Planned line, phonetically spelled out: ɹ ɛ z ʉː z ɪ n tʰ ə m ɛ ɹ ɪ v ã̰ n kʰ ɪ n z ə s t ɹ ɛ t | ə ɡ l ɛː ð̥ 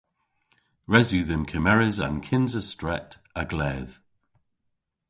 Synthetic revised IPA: ɹ ɛ z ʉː ð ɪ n kʰ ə m ɛ ɹ ɪ z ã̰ n kʰ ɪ n z ə s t ɹ ɛ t | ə ɡ l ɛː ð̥